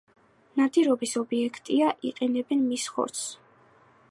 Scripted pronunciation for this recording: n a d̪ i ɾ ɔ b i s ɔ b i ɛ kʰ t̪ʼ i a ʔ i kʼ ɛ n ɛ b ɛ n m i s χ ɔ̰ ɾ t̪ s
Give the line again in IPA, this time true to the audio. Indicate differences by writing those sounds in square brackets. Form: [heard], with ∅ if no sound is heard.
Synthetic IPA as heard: n a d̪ i ɾ ɔ b i s ɔ b i ɛ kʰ t̪ʼ i a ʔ i [qʼ] ɛ n ɛ b ɛ n m i s χ ɔ̰ ɾ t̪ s